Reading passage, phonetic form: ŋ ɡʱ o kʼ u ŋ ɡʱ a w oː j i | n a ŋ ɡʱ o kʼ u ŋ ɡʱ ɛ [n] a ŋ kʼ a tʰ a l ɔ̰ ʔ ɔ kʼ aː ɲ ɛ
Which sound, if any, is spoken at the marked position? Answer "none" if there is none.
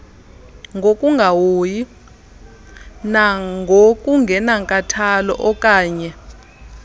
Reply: n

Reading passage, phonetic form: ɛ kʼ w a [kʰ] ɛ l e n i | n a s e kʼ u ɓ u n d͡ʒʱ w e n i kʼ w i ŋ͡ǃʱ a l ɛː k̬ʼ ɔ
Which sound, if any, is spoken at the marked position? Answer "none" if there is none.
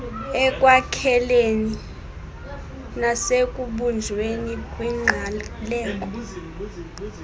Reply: kʰ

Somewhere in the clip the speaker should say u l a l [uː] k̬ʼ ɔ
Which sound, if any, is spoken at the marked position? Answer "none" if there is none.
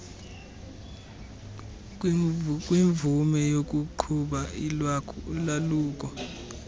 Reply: uː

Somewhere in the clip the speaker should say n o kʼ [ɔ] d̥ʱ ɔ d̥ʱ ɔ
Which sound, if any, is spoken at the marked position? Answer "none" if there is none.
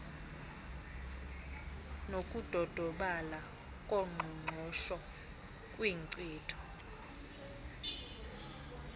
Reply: u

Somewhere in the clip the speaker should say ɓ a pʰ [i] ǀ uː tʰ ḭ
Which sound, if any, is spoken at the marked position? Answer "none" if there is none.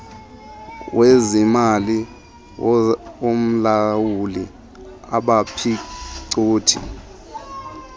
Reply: i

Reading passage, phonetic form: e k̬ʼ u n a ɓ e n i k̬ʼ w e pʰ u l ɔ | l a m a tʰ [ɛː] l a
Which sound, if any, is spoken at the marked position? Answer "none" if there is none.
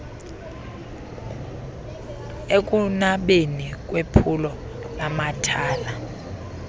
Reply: aː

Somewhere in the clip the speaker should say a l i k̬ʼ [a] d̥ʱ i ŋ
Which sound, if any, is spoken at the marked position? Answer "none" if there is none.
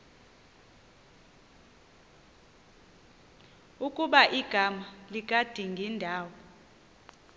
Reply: a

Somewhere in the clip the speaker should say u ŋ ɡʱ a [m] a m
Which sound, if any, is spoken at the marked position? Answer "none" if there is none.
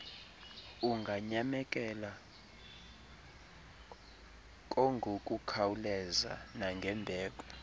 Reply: ɲ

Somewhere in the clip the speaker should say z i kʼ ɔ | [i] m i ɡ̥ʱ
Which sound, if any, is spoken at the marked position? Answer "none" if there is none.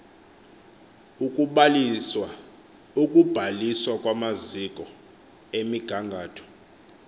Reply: e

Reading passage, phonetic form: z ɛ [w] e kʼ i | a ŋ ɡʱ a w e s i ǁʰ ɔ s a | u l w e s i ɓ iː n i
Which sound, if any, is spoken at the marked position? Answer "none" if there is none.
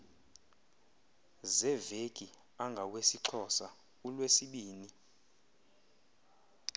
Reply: v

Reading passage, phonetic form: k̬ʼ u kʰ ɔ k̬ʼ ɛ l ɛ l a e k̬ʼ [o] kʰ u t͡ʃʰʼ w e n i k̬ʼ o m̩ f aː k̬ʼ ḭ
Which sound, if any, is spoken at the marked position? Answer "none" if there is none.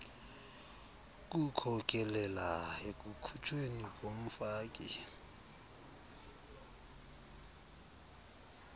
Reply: u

